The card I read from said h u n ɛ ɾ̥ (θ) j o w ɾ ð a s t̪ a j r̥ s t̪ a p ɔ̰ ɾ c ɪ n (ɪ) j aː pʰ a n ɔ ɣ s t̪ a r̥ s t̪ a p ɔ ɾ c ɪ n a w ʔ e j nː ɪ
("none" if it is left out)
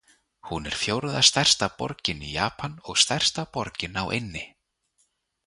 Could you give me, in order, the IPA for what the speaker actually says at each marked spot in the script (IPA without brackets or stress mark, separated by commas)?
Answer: f, i